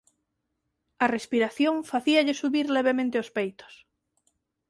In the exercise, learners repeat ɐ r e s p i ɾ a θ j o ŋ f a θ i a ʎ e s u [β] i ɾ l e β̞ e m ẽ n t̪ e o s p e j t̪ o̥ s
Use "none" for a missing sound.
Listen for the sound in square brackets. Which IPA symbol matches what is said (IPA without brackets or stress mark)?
β